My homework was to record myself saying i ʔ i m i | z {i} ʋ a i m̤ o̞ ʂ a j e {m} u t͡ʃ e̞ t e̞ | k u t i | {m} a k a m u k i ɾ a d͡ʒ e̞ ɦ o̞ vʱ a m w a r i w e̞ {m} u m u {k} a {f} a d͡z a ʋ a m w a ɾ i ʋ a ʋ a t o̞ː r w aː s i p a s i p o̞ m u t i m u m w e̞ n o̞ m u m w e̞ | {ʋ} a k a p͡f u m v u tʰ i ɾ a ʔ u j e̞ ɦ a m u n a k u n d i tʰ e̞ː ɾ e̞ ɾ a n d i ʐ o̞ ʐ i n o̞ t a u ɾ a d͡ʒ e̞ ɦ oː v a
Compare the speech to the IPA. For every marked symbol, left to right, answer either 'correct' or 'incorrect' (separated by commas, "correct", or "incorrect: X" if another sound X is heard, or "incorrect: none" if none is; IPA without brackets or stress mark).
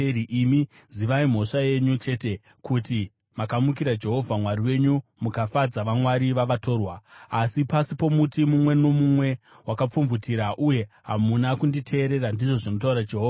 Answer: correct, incorrect: ɲ, correct, incorrect: ɲ, correct, correct, incorrect: w